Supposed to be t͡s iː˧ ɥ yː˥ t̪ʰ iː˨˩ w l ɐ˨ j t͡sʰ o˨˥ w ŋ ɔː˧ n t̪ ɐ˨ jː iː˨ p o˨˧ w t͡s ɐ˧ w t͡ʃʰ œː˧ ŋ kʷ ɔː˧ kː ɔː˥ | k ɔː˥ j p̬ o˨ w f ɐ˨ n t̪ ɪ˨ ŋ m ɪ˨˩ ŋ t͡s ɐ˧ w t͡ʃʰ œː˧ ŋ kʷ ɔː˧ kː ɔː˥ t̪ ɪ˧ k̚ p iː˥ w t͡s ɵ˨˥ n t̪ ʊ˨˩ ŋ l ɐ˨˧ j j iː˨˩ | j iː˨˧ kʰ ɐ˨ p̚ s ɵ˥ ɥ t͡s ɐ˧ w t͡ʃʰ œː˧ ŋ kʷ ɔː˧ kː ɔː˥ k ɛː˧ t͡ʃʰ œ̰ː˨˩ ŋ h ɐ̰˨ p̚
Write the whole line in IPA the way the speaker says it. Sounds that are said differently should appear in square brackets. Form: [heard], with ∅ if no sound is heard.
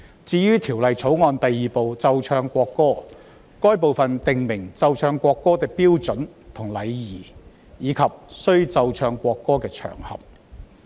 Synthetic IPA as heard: t͡s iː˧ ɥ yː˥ t̪ʰ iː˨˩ w l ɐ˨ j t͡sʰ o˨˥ w ŋ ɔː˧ n t̪ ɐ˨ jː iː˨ p o˨˧ w t͡s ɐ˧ w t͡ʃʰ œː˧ ŋ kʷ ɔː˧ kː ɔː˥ | k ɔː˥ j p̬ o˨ w f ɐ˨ n t̪ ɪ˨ ŋ m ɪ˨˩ ŋ t͡s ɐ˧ w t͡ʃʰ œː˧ ŋ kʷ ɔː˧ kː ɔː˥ t̪ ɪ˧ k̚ p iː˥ w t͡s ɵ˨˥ n [t̪ʰ] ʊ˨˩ ŋ l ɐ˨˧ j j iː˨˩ | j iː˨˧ kʰ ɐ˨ p̚ s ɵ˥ ɥ t͡s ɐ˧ w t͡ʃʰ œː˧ ŋ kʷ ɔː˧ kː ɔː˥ k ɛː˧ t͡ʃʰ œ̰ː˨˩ ŋ h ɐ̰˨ p̚